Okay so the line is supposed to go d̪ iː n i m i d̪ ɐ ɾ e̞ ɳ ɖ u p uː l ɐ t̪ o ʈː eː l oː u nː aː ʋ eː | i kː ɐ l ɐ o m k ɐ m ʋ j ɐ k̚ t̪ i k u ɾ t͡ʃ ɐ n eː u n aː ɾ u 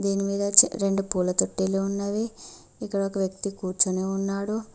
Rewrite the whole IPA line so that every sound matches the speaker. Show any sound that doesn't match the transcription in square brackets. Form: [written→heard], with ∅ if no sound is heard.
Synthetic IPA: d̪ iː n i m [i→iː] d̪ ɐ ɾ e̞ ɳ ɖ u p uː l ɐ t̪ o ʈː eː l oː u nː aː ʋ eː | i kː ɐ [l→ɽ] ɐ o [m→∅] k ɐ [m→∅] ʋ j ɐ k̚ t̪ i k [u→uː] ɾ t͡ʃ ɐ n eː u [n→nː] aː [ɾ→ɽ] u

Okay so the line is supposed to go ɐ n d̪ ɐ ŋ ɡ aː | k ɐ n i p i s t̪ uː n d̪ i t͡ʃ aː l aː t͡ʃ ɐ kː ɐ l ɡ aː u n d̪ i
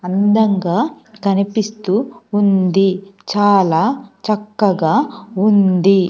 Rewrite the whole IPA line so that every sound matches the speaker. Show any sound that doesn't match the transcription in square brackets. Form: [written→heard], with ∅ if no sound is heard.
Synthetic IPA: ɐ n d̪ ɐ ŋ ɡ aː | k ɐ n i p i s t̪ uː n d̪ i t͡ʃ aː l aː t͡ʃ ɐ kː ɐ [l→∅] ɡ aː u n d̪ i

